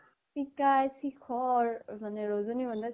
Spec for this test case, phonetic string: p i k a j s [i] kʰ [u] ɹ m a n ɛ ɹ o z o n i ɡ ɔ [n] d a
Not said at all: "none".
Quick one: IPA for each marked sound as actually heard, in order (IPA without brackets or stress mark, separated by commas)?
i, ɔ, n